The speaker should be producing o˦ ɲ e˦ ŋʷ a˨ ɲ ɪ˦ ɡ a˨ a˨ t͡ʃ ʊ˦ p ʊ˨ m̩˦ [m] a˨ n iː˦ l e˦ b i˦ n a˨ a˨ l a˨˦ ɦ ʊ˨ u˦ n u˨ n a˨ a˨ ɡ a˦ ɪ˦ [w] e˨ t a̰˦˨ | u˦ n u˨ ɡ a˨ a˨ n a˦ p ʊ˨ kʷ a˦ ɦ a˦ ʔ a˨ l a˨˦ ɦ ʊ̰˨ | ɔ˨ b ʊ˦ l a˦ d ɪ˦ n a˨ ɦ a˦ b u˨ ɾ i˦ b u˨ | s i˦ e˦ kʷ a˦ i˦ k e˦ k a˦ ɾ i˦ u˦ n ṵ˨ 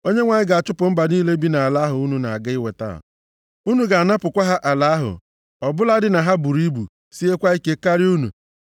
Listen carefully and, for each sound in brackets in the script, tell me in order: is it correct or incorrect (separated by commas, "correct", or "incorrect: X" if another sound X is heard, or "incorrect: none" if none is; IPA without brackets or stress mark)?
incorrect: b, correct